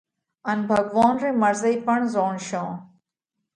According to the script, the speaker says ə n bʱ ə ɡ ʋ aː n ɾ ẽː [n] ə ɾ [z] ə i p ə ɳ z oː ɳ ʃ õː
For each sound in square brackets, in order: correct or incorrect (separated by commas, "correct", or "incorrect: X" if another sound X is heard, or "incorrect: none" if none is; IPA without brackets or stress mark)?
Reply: incorrect: m, correct